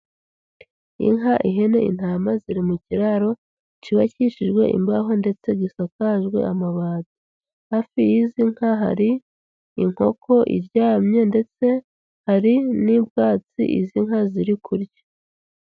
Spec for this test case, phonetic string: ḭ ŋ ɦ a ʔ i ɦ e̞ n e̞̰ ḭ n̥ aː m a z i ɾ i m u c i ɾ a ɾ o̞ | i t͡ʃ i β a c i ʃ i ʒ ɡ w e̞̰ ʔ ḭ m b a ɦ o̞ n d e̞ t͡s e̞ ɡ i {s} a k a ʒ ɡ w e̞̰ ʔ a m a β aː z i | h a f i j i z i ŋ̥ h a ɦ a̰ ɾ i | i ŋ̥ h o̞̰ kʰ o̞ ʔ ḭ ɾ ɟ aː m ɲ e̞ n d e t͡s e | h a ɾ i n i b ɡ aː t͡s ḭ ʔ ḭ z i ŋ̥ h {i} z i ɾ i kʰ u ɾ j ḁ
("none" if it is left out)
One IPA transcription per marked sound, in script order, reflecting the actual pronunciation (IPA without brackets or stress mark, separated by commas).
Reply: s, a